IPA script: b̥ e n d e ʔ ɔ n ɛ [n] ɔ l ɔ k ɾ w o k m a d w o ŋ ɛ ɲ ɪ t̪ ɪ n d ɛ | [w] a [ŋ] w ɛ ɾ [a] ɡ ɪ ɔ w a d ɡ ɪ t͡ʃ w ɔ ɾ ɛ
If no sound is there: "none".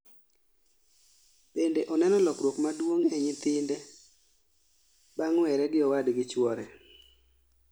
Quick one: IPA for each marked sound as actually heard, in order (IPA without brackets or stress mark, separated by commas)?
n, b, ŋ, ɛ